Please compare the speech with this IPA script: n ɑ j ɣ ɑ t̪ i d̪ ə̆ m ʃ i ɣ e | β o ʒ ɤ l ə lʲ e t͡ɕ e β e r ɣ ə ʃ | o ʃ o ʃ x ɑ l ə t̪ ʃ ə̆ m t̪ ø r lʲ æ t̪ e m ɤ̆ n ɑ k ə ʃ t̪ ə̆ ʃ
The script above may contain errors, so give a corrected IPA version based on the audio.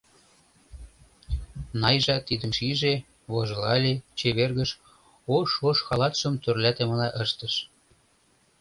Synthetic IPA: n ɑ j ʒ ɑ t̪ i d̪ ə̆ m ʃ i ʒ e | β o ʒ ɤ l ɑ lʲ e t͡ɕ e β e r ɣ ə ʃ | o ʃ o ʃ x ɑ l ɑ t̪ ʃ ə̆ m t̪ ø r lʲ æ t̪ e m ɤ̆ n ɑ ʔ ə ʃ t̪ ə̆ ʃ